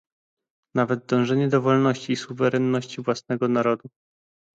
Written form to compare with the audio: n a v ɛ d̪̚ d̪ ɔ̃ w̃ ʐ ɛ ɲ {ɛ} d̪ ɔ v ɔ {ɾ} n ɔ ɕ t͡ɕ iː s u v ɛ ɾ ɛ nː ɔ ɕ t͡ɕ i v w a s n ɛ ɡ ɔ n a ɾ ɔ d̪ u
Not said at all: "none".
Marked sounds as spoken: ɛ, l

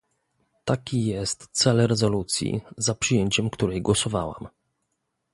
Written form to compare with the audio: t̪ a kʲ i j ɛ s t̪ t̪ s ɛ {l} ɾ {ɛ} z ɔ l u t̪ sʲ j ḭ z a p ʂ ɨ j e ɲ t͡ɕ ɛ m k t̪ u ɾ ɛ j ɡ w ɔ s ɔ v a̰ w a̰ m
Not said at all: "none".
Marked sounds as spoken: l, ɛ

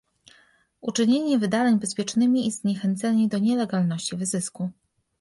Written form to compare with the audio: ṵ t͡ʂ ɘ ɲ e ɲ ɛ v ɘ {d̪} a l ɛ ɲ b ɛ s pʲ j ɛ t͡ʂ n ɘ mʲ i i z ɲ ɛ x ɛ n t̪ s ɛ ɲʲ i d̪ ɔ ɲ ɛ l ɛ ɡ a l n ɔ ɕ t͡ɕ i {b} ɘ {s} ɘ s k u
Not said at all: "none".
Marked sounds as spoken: d̪, v, z

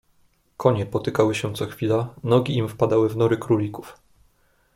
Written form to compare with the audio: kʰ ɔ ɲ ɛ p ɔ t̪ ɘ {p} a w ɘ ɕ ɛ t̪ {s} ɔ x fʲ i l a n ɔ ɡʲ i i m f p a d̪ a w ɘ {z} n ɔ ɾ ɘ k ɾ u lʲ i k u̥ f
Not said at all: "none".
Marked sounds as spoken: k, s, v

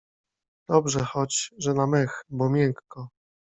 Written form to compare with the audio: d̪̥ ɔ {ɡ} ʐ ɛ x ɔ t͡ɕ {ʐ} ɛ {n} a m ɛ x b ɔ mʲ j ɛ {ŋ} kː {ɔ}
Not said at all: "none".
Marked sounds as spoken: b, ʐ, n, ŋ, ɔ

